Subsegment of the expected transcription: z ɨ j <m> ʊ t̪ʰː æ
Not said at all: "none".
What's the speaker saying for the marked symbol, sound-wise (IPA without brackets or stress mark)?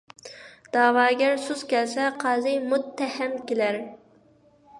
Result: m